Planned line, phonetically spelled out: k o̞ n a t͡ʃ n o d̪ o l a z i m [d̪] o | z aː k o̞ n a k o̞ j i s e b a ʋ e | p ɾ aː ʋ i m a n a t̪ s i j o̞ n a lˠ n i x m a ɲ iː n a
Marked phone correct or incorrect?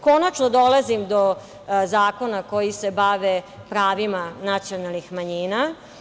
correct